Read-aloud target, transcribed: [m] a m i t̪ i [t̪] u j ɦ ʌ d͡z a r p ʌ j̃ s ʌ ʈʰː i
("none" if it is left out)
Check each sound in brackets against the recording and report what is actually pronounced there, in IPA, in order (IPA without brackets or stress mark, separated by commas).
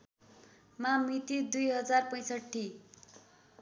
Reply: m, d̪